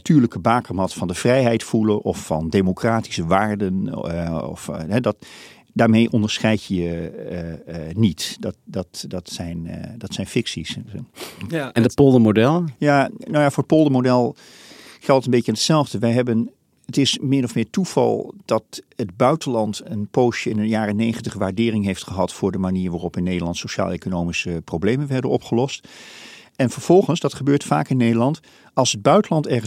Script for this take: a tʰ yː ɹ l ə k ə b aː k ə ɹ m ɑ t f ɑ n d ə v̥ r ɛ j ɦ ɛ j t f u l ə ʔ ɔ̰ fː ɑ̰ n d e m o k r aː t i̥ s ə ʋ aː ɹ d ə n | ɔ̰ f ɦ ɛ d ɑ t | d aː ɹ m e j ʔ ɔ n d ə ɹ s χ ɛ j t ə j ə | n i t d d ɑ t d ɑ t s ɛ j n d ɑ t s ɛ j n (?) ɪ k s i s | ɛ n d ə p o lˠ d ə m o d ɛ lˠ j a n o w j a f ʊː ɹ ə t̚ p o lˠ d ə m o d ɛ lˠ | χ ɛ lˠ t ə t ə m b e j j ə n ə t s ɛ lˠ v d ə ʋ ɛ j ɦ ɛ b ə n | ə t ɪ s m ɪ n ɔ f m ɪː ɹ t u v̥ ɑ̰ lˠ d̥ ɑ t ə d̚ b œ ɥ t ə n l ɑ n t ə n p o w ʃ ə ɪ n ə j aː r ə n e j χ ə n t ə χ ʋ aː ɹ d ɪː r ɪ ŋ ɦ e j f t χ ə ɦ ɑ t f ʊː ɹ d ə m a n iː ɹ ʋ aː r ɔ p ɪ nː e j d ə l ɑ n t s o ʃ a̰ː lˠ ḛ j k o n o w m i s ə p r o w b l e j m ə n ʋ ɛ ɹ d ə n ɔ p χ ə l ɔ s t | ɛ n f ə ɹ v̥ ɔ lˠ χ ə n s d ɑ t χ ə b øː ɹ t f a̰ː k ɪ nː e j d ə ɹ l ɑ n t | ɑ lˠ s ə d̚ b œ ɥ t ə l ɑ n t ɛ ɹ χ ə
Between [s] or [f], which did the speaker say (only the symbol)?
f